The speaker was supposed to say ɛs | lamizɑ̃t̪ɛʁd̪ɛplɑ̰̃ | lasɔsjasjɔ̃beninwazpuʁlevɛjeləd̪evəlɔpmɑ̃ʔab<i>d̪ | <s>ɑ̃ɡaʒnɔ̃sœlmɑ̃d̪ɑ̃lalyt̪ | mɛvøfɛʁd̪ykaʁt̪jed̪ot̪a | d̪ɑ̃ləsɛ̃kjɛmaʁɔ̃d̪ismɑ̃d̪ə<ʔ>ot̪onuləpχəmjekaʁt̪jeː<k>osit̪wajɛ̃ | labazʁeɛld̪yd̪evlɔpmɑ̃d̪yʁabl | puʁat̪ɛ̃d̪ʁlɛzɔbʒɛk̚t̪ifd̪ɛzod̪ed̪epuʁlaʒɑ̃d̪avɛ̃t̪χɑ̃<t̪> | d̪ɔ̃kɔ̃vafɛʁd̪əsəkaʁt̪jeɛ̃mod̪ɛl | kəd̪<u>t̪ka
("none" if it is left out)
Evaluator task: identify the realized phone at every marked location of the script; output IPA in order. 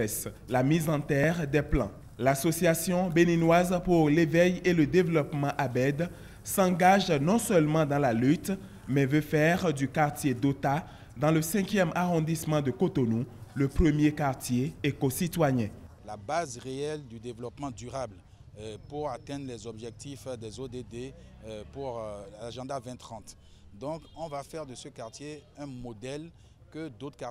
ɛ, s, k, k, t̪, o

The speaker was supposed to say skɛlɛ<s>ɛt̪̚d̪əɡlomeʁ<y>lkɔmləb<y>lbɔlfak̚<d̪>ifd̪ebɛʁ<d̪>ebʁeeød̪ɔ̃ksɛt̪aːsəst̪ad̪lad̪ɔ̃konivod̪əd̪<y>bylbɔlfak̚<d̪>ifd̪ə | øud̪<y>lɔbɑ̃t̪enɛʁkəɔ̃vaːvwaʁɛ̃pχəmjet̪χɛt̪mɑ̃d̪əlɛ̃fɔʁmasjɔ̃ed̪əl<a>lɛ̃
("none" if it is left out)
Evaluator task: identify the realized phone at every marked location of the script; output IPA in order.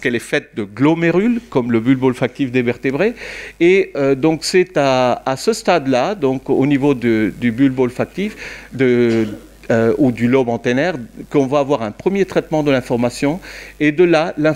f, y, y, t̪, t̪, y, t̪, y, a

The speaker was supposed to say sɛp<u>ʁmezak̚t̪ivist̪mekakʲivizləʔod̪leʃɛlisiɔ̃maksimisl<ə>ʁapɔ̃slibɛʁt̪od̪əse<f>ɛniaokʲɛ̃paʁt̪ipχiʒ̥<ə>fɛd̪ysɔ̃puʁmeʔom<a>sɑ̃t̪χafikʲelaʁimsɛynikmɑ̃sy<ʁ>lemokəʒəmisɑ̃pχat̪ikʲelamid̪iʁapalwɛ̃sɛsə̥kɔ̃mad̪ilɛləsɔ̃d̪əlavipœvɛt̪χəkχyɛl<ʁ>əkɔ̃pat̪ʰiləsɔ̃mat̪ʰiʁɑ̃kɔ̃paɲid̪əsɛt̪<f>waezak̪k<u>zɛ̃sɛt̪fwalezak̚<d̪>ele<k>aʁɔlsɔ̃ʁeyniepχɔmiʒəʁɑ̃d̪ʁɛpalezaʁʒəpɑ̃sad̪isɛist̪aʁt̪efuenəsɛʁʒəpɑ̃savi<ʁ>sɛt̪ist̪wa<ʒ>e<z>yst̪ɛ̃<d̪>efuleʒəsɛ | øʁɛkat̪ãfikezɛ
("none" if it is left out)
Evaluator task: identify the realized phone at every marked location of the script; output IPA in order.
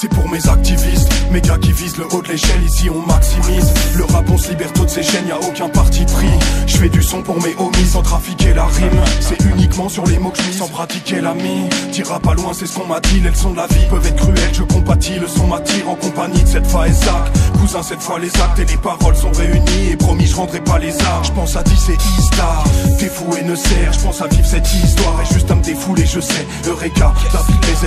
u, ə, ʃ, ə, i, ʁ, ʒ, f, u, t̪, p, v, ʁ, ʒ, d̪

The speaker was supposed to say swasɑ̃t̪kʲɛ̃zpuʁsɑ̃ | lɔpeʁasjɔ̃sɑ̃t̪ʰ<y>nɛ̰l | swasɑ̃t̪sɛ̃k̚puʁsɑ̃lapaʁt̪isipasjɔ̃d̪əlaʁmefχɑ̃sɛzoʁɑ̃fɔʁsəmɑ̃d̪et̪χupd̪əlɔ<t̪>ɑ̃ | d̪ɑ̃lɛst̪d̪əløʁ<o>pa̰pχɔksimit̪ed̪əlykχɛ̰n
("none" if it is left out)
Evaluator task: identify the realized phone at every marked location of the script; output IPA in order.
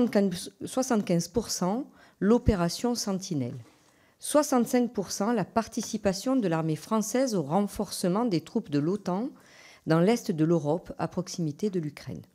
i, t̪, ɔ

